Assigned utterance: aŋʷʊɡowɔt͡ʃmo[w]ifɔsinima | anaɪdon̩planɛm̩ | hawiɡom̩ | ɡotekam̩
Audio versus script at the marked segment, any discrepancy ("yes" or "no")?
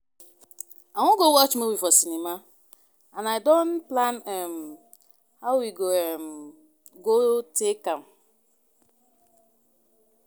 no